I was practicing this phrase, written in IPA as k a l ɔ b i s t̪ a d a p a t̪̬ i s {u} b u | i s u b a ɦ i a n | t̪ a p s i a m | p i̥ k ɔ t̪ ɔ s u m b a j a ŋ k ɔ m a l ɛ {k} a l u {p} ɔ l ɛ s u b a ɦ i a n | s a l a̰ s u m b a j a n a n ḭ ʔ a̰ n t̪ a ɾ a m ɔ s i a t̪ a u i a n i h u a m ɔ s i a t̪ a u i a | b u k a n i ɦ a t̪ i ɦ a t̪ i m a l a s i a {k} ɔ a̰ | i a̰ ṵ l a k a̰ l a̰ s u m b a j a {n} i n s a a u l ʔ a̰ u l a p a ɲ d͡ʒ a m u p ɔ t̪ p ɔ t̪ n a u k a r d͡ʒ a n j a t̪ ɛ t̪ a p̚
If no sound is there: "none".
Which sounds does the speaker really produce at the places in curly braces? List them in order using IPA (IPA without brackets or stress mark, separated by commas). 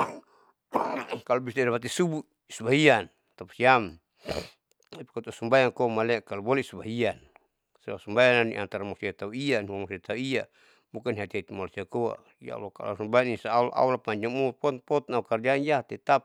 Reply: u, k, b, k, n